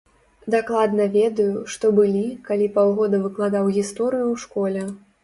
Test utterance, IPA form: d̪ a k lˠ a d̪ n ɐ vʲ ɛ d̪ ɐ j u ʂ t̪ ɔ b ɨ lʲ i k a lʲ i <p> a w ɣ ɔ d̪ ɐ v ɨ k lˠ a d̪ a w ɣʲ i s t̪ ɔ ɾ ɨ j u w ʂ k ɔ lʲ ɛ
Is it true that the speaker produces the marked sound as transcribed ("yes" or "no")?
yes